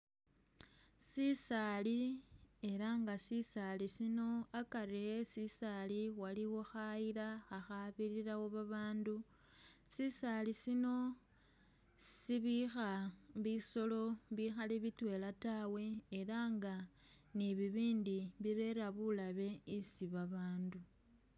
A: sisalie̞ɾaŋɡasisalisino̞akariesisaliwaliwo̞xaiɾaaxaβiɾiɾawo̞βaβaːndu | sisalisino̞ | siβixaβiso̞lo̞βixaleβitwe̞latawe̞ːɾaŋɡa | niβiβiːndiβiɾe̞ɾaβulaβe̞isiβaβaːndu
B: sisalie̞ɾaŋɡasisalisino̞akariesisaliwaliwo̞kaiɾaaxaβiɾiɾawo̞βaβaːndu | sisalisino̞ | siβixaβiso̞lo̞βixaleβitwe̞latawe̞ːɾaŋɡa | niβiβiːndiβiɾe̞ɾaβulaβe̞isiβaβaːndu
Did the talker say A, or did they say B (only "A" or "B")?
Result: A